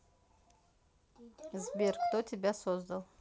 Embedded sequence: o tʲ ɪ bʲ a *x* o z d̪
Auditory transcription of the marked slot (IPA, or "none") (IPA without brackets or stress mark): s